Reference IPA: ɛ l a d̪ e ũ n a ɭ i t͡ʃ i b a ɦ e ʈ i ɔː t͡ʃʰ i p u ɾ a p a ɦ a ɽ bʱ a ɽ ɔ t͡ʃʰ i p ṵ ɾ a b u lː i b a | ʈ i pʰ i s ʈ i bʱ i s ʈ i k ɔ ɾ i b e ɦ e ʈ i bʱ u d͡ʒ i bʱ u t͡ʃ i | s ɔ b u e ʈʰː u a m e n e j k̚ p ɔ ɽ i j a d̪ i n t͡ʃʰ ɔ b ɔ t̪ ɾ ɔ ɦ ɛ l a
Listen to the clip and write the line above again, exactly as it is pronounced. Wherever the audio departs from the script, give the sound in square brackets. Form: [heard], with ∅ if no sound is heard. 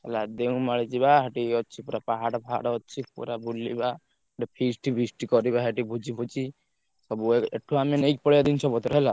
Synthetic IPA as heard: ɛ l a d̪ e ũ [m] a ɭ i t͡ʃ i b a ɦ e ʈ i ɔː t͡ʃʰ i p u ɾ a p a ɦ a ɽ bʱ a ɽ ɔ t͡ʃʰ i p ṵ ɾ a b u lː i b a | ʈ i pʰ i s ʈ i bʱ i s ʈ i k ɔ ɾ i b [a] ɦ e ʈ i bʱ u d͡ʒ i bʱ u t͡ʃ i | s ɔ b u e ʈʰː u a m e n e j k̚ p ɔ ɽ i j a d̪ i n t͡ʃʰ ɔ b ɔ t̪ ɾ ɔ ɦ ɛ l a